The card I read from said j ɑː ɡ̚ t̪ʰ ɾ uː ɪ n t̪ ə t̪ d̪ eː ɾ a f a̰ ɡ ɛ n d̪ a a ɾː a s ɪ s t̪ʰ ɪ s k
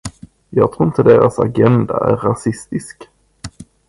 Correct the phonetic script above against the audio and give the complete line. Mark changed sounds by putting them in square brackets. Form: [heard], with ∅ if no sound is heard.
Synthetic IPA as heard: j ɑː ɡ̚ t̪ʰ ɾ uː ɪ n t̪ ə [∅] d̪ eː ɾ a [s] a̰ ɡ ɛ n d̪ a [æ] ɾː a s ɪ s [t̪] ɪ s k